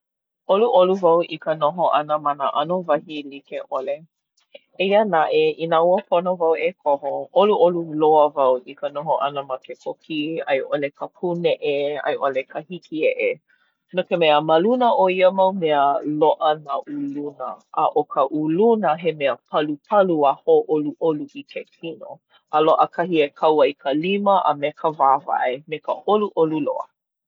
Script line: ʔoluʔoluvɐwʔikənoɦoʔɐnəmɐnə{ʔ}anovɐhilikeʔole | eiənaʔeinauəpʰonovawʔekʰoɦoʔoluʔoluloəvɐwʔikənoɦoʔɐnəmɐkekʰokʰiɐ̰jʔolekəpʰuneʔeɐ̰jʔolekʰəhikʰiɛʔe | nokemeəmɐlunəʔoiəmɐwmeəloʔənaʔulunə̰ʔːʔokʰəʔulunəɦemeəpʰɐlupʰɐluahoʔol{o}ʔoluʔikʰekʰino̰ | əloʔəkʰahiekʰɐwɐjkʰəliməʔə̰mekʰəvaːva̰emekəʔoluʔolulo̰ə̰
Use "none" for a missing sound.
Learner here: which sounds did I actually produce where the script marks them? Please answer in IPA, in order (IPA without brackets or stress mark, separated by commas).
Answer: ʔ, u